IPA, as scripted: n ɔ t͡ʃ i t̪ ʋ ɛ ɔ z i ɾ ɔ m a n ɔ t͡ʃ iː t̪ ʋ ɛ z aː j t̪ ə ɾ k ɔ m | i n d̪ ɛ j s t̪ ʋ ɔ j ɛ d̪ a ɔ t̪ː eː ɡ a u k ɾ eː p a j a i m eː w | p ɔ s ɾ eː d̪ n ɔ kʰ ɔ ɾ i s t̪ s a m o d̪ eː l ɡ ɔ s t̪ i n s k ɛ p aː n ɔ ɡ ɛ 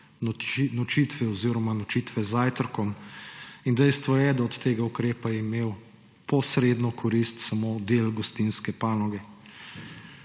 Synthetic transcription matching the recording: n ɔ t͡ʃ i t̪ ʋ ɛ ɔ z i ɾ ɔ m a n ɔ t͡ʃ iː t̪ ʋ ɛ z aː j t̪ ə ɾ k ɔ m | i n d̪ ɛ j s t̪ ʋ ɔ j ɛ d̪ a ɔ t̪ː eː ɡ a u k ɾ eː p a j ɛ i m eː w | p ɔ s ɾ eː d̪ n ɔ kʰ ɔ ɾ i s t̪ s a m o d̪ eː l ɡ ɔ s t̪ i n s k ɛ p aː n ɔ ɡ ɛ